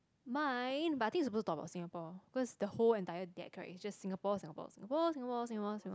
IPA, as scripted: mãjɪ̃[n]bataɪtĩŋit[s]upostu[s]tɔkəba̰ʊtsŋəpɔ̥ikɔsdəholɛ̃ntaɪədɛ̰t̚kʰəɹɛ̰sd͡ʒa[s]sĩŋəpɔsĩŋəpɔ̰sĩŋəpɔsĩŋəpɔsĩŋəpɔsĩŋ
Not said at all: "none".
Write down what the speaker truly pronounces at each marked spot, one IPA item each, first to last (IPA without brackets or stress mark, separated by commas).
n, s, none, s